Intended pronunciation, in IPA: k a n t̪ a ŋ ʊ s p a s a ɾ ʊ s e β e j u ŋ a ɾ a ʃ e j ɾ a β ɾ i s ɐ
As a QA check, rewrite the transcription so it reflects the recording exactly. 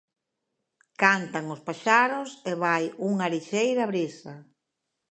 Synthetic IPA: k a n t̪ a ŋ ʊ s p a ʃ a ɾ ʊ s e β a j u ŋ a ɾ i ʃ e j ɾ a β ɾ i s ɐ

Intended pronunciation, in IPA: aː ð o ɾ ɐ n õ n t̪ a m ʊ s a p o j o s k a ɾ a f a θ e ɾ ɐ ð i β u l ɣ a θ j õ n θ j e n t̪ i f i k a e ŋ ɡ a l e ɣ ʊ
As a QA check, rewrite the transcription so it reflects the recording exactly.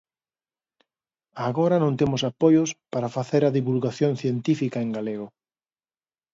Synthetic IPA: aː ɣ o ɾ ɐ n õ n t̪ e m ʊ s a p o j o s p a ɾ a f a θ e ɾ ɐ ð i β u l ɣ a θ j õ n θ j e n t̪ i f i k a e ŋ ɡ a l e ɣ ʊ

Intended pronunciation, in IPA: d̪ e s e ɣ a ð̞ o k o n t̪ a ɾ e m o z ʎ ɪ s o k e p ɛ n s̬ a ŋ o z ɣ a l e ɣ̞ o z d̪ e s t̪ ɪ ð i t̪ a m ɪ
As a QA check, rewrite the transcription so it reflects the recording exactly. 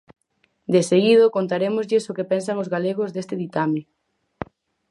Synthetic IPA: d̪ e s e ɣ i ð̞ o k o n t̪ a ɾ e m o z ʎ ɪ s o k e p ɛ n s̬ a ŋ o z ɣ a l e ɣ̞ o z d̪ e s t̪ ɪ ð i t̪ a m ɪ

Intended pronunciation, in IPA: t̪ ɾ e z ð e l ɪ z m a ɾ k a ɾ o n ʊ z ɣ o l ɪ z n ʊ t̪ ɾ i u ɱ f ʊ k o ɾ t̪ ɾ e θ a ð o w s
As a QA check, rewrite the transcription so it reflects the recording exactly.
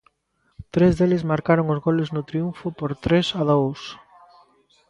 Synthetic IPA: t̪ ɾ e z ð e l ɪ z m a ɾ k a ɾ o ŋ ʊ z ɣ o l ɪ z n ʊ t̪ ɾ i u ɱ f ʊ p o ɾ t̪ ɾ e s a ð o w s

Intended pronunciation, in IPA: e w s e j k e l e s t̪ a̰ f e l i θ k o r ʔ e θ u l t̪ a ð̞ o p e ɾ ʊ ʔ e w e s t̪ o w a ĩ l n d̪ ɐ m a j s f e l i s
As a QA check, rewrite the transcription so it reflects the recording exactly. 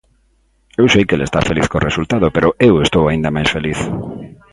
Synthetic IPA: e w s e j k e l e s t̪ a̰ f e l i θ k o r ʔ e s u l t̪ a ð̞ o p e ɾ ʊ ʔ e w e s t̪ o w a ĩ n d̪ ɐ m a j s f e l i θ

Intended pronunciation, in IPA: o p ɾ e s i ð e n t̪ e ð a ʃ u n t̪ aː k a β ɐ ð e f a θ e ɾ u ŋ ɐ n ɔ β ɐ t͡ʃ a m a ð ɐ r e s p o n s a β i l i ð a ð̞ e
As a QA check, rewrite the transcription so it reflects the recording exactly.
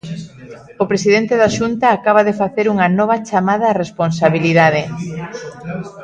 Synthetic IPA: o p ɾ e s i ð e n t̪ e ð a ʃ u n t̪ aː k a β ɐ ð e f a θ e ɾ u ŋ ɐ n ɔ β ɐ t͡ʃ a m a ð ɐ r e s p o n s a β i l i ð a ð̞ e

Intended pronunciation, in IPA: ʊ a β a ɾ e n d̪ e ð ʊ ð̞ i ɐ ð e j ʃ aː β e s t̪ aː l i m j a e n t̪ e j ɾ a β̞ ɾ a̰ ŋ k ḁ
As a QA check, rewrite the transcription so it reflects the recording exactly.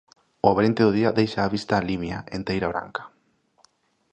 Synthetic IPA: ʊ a β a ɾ e n t̪ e ð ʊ ð̞ i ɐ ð e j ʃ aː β i s t̪ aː l i m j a e n t̪ e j ɾ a β̞ ɾ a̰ ŋ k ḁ

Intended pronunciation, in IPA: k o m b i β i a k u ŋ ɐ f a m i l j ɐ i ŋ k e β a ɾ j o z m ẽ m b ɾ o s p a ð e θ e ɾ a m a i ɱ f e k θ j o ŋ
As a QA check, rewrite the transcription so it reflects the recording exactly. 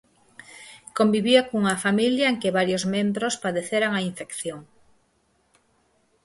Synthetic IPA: k o m b i β i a k u ŋ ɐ f a m i l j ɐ e ŋ k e β a ɾ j o z m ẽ m b ɾ o s p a ð e θ e ɾ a ŋ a i ɱ f e k θ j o ŋ

